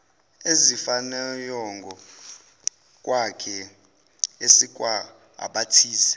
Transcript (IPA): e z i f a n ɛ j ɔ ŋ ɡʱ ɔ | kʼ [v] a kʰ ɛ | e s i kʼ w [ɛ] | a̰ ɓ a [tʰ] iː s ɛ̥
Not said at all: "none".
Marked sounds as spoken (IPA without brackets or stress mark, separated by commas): w, a, tʰ